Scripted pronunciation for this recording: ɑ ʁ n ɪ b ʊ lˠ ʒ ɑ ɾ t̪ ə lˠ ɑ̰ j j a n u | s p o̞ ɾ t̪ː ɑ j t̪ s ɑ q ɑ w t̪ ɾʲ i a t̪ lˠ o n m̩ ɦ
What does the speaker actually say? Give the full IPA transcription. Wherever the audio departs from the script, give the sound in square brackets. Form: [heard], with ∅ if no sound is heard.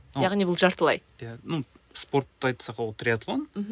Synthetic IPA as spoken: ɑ ʁ n [i] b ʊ lˠ ʒ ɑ ɾ t̪ ə lˠ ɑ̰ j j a n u | s p o̞ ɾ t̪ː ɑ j t̪ s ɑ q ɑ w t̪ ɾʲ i a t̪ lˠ o n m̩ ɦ

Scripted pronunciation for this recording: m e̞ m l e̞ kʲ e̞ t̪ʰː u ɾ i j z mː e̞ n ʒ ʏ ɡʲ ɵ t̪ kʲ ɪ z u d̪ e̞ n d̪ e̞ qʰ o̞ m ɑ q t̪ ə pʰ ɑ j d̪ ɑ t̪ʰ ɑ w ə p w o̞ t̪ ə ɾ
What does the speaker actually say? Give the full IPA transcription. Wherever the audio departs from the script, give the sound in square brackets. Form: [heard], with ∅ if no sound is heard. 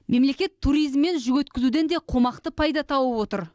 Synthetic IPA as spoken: m e̞ m l e̞ kʲ e̞ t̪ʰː u ɾ i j z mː e̞ n ʒ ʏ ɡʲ ɵ t̪ kʲ ɪ z u d̪ e̞ n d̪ e̞ qʰ o̞ m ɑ q t̪ ə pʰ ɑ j d̪ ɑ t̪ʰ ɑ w ə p w o̞ t̪ ə ɾ

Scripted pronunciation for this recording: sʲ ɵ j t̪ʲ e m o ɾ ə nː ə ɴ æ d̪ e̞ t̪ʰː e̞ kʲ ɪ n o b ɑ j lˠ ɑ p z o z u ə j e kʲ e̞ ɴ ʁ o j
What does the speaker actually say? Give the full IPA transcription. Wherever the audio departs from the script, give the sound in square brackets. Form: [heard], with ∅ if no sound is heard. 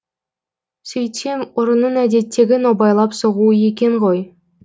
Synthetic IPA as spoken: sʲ ɵ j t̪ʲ e m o ɾ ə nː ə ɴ æ d̪ e̞ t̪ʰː e̞ [ɡʲ] ɪ n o b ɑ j lˠ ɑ p [s] o [ʁ] u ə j e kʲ e̞ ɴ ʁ o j

